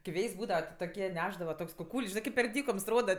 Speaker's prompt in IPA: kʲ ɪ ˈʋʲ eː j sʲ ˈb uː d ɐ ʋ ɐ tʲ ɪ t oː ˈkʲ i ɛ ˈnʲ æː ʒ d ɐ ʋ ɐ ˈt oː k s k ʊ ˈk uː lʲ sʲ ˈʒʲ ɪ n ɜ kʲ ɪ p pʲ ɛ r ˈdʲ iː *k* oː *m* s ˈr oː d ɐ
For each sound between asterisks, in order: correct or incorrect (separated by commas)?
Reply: correct, correct